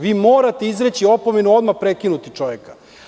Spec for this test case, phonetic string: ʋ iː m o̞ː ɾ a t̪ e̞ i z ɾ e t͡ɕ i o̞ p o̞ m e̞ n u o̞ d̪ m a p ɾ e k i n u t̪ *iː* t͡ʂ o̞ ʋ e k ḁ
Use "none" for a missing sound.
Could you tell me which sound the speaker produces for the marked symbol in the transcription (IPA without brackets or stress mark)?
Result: i